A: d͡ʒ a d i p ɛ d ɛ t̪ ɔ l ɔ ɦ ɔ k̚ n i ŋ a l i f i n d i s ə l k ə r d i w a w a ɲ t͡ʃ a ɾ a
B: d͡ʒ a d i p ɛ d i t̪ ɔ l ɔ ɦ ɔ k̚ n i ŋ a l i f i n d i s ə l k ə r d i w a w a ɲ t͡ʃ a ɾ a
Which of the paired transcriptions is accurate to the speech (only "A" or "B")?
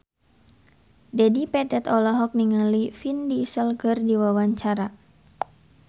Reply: A